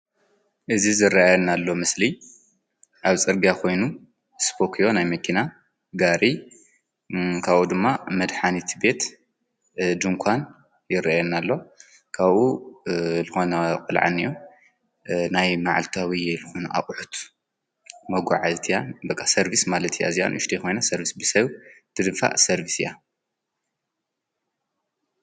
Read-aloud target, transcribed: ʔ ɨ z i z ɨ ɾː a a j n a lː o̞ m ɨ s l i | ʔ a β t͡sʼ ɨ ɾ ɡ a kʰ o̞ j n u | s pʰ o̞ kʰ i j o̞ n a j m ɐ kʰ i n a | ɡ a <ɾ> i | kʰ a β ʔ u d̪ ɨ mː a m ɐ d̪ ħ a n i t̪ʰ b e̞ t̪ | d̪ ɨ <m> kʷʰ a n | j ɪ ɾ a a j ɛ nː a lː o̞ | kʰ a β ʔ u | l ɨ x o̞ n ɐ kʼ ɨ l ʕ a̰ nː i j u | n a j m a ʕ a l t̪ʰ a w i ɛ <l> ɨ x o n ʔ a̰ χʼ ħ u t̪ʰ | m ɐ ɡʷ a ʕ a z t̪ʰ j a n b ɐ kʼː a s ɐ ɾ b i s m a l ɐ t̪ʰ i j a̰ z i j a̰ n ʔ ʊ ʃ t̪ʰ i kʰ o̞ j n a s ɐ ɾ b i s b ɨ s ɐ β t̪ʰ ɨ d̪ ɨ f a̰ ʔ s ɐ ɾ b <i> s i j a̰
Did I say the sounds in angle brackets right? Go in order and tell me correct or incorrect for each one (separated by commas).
correct, incorrect, correct, correct